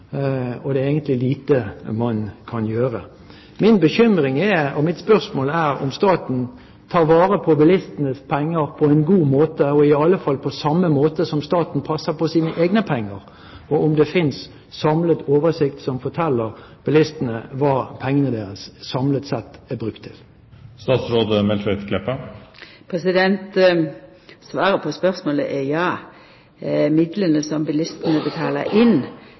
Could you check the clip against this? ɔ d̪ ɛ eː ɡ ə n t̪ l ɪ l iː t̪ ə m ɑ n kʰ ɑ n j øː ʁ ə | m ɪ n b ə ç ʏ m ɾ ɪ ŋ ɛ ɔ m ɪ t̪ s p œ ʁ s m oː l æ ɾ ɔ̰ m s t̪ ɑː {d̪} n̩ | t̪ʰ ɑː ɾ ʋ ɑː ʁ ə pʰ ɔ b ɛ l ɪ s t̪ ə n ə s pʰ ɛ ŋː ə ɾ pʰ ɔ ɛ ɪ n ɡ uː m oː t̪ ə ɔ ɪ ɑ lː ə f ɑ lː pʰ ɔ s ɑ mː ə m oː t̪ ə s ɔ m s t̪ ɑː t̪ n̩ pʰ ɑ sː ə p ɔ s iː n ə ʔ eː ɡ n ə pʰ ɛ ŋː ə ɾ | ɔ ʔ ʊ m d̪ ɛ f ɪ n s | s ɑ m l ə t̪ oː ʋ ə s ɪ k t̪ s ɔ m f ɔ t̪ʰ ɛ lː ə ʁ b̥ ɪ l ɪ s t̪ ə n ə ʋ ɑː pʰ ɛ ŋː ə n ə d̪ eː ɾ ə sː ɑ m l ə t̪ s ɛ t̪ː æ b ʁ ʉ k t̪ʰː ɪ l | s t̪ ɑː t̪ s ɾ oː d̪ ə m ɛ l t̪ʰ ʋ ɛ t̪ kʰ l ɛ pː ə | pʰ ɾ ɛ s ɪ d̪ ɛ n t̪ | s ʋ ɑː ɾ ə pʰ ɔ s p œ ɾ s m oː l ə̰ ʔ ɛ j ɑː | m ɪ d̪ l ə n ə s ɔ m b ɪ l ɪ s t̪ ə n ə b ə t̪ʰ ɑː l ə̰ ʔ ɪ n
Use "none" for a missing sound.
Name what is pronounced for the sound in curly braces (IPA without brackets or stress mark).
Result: t̪